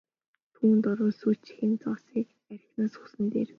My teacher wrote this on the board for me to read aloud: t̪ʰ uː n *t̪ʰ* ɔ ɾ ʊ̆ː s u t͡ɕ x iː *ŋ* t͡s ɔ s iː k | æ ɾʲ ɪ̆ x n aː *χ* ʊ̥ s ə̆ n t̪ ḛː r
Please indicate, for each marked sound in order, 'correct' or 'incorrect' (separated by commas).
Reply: incorrect, incorrect, incorrect